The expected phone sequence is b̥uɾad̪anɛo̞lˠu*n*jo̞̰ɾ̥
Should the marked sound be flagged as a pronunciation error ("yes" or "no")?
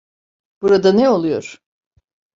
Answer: yes